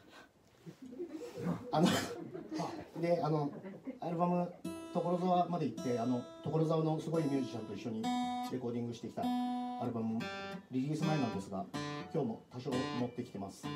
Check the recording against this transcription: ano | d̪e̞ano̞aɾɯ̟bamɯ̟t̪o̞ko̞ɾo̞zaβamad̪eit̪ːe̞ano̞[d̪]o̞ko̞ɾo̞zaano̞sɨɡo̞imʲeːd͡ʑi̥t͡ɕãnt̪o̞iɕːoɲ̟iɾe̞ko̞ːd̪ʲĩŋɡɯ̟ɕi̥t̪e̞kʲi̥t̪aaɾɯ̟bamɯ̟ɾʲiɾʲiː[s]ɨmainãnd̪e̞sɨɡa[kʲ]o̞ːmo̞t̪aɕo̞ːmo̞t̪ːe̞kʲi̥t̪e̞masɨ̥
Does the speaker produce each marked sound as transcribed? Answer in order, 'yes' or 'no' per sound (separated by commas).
no, yes, yes